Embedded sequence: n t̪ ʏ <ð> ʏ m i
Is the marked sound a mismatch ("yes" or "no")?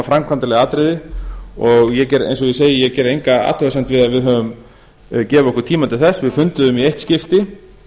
no